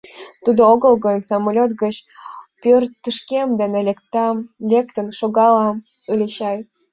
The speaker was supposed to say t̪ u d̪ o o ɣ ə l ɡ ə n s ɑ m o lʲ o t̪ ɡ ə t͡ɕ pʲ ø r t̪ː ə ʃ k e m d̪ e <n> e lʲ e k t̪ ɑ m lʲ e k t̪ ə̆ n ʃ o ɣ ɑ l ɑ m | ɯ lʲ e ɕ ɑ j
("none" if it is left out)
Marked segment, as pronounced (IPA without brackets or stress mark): n